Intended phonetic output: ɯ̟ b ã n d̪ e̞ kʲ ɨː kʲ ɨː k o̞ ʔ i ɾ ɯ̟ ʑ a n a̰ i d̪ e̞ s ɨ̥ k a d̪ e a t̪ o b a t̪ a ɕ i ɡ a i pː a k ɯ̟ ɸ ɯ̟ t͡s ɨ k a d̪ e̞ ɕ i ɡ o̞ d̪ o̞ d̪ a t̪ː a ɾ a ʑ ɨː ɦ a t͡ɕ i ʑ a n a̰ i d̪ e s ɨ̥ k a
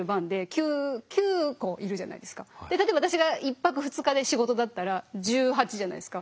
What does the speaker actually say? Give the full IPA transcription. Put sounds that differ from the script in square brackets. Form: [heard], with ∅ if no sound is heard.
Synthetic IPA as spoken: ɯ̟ b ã n d̪ e̞ kʲ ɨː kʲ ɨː k o̞ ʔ i ɾ ɯ̟ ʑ a n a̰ i d̪ e̞ s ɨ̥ k a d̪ e a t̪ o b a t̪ a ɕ i ɡ a i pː a k ɯ̟ ɸ ɯ̟ t͡s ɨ k a d̪ e̞ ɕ i ɡ o̞ [t̪] o̞ d̪ a t̪ː a ɾ a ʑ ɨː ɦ a t͡ɕ i ʑ a n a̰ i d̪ e s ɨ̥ k a